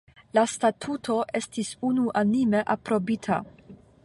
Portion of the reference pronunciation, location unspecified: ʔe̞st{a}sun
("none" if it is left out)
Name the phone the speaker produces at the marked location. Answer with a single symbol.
i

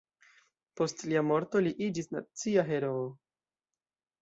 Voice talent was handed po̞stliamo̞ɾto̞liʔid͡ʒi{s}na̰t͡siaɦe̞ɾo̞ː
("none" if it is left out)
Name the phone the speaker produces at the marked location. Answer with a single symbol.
s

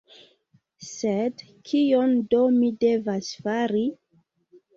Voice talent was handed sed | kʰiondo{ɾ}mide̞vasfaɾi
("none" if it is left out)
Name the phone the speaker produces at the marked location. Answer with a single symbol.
none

